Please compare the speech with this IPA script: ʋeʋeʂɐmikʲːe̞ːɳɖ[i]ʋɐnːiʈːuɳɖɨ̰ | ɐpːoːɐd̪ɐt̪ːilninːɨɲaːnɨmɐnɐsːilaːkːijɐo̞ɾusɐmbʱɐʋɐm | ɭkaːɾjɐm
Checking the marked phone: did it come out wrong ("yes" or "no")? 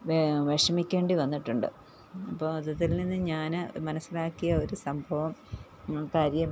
no